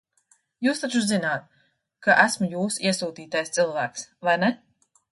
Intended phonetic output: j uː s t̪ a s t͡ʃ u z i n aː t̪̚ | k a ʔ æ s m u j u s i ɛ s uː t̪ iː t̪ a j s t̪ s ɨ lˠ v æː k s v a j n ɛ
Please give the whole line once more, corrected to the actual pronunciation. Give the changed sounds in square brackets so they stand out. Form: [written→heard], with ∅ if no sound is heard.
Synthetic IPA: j uː s t̪ a [s→∅] t͡ʃ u z i n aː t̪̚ | k a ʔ æ s m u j [u→uː] s i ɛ s uː t̪ iː t̪ a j s t̪ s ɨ lˠ v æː k s v a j n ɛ